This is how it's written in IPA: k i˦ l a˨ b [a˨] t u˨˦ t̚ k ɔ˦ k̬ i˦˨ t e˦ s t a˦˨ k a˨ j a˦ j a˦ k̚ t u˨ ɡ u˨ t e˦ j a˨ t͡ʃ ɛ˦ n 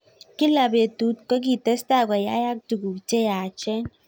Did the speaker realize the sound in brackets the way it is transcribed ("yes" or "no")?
no